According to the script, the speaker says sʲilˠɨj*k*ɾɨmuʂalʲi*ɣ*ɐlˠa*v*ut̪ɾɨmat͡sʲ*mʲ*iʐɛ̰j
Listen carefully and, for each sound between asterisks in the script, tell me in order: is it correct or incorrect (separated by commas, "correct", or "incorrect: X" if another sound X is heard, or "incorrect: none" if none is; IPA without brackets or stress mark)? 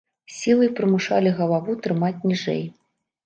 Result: incorrect: p, correct, correct, incorrect: nʲ